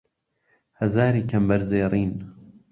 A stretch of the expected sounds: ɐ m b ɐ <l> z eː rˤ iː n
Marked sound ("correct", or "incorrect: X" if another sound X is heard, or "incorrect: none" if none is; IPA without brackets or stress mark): incorrect: ɾ